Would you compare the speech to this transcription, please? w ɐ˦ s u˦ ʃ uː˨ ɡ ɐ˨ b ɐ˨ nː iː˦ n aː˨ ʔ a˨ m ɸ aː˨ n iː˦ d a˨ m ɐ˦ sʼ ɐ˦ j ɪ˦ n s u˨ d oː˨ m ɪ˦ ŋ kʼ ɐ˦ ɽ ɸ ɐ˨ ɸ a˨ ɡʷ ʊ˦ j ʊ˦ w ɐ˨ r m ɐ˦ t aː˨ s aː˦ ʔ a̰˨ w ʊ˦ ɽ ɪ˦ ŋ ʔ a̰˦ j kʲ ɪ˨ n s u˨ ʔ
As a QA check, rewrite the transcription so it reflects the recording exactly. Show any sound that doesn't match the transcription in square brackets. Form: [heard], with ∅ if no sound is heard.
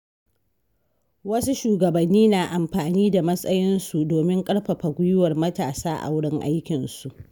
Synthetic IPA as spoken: w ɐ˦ s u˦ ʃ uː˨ ɡ ɐ˨ b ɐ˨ nː iː˦ n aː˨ ʔ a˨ m ɸ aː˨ n iː˦ d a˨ m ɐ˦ sʼ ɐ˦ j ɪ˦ n s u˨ d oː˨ m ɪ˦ ŋ kʼ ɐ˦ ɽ ɸ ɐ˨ ɸ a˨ ɡʷ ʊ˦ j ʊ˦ w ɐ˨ r m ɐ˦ t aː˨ s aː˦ ʔ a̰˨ w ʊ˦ ɽ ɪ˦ ŋ ʔ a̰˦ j kʲ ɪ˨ n s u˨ ʔ